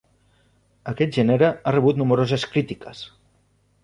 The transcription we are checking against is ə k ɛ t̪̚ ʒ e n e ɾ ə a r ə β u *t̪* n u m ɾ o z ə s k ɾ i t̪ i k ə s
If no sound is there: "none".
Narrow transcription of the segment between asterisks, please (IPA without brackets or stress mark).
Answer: t̪